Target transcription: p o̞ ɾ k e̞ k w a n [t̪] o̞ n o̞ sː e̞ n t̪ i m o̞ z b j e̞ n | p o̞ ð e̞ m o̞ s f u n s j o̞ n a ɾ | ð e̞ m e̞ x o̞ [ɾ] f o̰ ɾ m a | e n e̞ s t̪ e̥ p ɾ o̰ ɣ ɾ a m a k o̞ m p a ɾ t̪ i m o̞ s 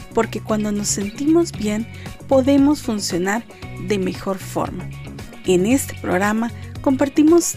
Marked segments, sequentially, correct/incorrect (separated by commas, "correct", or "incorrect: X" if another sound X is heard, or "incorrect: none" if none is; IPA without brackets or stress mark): incorrect: d̪, correct